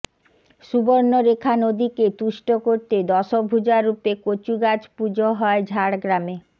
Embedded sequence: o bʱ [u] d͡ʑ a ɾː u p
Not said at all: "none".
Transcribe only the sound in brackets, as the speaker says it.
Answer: u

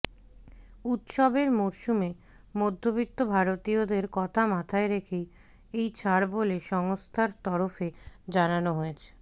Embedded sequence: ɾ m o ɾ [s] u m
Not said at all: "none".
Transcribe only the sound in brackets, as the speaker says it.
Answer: ʃ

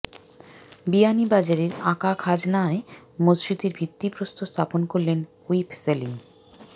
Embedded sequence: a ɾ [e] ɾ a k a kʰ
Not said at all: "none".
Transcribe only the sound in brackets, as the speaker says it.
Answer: e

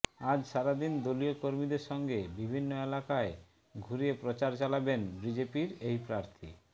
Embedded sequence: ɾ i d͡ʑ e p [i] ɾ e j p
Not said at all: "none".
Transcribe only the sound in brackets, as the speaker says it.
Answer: i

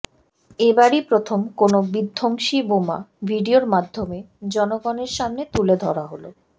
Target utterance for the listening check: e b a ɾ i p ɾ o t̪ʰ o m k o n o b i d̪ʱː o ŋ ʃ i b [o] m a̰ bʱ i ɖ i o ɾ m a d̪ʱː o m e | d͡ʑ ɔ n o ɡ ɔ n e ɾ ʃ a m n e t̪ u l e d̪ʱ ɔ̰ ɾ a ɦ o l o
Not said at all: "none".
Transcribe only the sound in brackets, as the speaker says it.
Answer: o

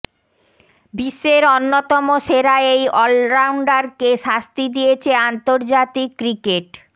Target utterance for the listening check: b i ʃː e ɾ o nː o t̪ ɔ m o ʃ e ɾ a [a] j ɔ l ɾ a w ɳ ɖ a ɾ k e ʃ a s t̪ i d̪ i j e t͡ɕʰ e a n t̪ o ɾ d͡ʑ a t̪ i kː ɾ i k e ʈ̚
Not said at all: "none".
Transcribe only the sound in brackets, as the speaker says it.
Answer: e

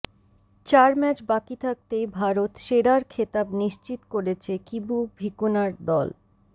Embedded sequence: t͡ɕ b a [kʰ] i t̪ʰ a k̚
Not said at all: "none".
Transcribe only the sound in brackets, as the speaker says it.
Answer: k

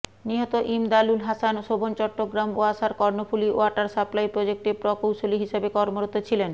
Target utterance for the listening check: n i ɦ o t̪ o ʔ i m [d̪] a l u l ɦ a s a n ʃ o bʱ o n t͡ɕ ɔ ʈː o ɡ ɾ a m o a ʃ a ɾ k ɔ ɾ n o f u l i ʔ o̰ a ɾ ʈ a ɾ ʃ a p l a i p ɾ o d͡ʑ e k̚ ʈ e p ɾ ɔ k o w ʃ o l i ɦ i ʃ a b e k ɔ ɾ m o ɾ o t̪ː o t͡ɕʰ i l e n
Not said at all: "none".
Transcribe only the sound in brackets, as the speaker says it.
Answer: d̪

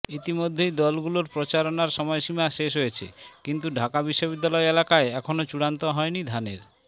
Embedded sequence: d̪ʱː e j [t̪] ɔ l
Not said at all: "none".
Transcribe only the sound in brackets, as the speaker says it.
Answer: d̪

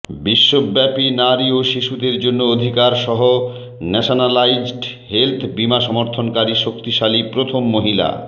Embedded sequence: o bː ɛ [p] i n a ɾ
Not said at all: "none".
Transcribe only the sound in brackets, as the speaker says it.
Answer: p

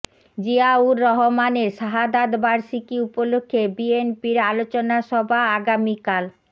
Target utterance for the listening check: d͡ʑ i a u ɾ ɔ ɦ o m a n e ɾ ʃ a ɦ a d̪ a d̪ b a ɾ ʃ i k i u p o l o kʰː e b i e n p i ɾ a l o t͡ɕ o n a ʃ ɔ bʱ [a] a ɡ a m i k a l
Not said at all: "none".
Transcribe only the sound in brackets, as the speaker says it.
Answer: a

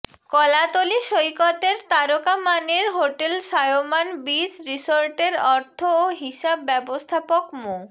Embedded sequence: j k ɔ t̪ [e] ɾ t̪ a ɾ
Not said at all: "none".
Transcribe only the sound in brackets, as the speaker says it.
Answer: e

